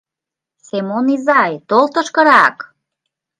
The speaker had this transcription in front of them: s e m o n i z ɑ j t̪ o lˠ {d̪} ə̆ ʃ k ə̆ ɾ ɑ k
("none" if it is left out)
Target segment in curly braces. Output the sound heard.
t̪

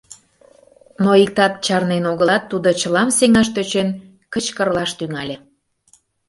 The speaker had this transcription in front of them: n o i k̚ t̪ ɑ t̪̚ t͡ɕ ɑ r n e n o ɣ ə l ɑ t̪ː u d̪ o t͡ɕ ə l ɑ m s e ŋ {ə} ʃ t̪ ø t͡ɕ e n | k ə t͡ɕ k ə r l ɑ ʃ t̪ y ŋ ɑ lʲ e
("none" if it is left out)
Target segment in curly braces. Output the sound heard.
ɑ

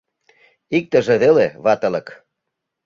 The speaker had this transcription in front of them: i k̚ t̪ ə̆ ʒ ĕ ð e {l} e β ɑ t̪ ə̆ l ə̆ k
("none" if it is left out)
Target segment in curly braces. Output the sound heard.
l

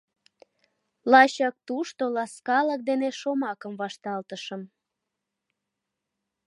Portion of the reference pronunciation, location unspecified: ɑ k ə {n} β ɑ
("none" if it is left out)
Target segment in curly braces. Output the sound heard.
m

